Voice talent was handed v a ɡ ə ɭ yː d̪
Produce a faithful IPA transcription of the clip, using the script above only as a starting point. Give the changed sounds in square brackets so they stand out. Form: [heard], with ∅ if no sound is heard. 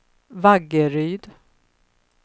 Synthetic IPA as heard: v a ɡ ə [ɾ] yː d̪

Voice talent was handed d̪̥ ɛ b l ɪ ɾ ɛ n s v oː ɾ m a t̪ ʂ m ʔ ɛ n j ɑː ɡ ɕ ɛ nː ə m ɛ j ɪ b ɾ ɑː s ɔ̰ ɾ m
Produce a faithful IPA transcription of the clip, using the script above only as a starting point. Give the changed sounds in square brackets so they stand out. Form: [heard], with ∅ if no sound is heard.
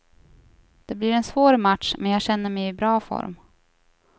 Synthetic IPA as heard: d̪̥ ɛ b l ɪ ɾ ɛ n s v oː ɾ m a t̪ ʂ m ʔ ɛ n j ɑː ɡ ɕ ɛ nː ə m ɛ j ɪ b ɾ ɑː [f] ɔ̰ ɾ m

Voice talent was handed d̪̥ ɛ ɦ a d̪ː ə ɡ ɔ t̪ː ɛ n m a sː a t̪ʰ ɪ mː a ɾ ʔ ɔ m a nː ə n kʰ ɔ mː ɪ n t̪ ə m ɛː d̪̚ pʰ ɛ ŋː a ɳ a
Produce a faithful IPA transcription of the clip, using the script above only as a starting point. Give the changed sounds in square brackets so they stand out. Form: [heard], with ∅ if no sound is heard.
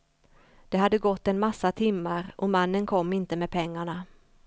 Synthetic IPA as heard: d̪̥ ɛ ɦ a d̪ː ə ɡ ɔ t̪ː ɛ n m a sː a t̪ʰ ɪ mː a ɾ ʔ ɔ m a nː ə n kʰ ɔ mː ɪ n t̪ ə m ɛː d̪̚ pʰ ɛ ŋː a ɳ a

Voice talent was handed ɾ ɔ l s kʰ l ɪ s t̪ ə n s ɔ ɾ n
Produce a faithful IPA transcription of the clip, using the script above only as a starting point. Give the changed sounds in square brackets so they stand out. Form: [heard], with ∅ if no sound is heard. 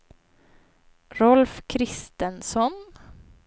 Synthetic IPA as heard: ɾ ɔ l [f] kʰ [ɾ] ɪ s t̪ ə n s ɔ [∅] n

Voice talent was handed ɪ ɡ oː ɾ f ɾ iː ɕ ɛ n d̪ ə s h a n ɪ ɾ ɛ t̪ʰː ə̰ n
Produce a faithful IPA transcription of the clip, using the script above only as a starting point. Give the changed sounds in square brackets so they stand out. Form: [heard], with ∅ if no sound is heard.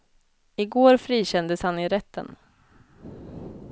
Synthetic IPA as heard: ɪ ɡ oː ɾ f ɾ iː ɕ ɛ n d̪ ə s h a n ɪ ɾ ɛ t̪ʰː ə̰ n

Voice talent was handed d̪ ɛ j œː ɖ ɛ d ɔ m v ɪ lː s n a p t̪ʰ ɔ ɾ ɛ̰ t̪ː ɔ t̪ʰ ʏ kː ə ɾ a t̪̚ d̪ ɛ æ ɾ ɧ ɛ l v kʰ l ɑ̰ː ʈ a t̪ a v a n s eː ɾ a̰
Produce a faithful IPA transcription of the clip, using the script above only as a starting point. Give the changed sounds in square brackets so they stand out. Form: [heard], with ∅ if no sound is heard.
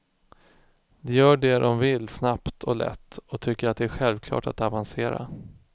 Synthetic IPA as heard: d̪ ɛ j œː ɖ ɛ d ɔ m v ɪ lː s n a p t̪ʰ ɔ [l] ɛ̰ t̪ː ɔ t̪ʰ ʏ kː ə ɾ a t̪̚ d̪ ɛ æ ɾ ɧ ɛ l v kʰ l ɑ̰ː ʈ a t̪ a v a n s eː ɾ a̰

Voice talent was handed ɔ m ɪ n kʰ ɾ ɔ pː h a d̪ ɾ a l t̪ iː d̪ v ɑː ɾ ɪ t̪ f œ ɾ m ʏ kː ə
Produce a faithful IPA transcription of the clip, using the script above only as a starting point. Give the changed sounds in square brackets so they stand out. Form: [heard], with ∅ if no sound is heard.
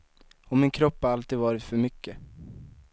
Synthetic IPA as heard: ɔ m ɪ n kʰ ɾ ɔ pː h a [∅] ɾ a l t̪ iː d̪ v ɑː ɾ ɪ t̪ f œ ɾ m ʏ kː ə

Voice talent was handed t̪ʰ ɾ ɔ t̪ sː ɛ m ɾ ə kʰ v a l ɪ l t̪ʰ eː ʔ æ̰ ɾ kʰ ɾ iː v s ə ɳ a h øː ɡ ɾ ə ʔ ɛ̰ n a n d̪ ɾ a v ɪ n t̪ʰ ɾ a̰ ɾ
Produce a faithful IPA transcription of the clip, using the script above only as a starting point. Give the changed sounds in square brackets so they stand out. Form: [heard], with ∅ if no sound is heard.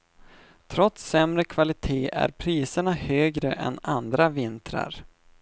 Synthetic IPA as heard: t̪ʰ ɾ ɔ t̪ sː ɛ m ɾ ə kʰ v a l ɪ [∅] t̪ʰ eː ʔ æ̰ ɾ [pʰ] ɾ iː [∅] s ə ɳ a h øː ɡ ɾ ə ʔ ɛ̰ n a n d̪ ɾ a v ɪ n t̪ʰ ɾ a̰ ɾ

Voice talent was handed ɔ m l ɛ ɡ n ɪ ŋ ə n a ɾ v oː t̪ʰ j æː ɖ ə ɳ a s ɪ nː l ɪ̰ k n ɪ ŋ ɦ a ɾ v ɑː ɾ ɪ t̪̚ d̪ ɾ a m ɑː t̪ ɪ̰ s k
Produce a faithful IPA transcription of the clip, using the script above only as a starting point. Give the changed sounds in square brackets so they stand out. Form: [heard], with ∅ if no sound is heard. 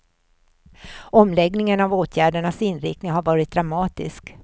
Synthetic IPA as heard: ɔ m l ɛ ɡ n ɪ ŋ ə n a [∅] v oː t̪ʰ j æː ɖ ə ɳ a s ɪ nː [ɾ] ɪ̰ k n ɪ ŋ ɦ a ɾ v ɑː ɾ ɪ t̪̚ d̪ ɾ a m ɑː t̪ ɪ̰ s k

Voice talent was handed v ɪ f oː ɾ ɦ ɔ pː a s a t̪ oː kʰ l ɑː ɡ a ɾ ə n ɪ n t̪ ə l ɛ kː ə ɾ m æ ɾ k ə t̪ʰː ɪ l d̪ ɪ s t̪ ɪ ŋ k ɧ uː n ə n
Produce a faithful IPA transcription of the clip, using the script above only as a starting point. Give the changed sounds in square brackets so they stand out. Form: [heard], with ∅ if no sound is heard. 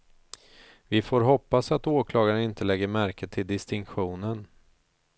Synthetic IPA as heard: v ɪ f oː ɾ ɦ ɔ pː a s a t̪ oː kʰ l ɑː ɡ a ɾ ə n ɪ n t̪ ə l ɛ [ɡː] ə ɾ m æ ɾ k ə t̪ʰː ɪ l d̪ ɪ s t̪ ɪ ŋ k ɧ uː n ə n

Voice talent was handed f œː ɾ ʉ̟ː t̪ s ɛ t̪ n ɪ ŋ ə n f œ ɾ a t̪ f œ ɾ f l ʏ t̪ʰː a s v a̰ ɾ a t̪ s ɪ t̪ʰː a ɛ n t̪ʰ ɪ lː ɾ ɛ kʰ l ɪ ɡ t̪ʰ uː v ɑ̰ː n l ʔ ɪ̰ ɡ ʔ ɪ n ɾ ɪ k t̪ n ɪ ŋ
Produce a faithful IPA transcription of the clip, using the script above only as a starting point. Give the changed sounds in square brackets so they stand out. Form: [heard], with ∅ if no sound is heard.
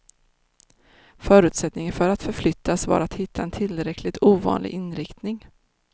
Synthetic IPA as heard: f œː ɾ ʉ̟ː t̪ s ɛ t̪ n ɪ ŋ ə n f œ ɾ a t̪ f œ ɾ f l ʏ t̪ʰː a s v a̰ ɾ a t̪ [h] ɪ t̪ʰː a ɛ n t̪ʰ ɪ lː ɾ ɛ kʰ l ɪ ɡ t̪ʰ uː v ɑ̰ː n l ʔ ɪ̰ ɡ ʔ ɪ n ɾ ɪ k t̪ n ɪ ŋ

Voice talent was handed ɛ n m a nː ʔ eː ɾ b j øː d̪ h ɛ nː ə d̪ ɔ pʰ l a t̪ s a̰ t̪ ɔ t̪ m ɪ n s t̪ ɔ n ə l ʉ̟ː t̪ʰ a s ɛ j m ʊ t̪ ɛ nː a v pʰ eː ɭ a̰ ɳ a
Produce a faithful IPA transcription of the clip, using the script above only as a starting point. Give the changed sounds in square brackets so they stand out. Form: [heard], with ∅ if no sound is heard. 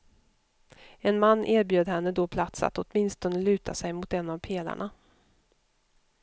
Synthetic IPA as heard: ɛ n m a nː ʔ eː ɾ b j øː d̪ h ɛ nː ə d̪ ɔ pʰ l a t̪ s a̰ t̪ ɔ t̪ m ɪ n s t̪ ɔ n ə l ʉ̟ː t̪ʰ a s ɛ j m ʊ t̪ ɛ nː a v pʰ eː [l] a̰ ɳ a

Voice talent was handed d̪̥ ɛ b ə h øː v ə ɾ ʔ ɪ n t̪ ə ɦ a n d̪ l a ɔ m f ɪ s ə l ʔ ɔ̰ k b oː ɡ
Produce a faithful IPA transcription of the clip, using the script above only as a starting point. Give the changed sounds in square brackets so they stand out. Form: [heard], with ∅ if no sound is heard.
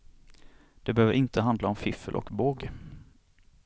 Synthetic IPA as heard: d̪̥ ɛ b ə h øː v ə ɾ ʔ ɪ n t̪ ə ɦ a n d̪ l a ɔ m f ɪ [f] ə l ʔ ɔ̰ k b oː ɡ

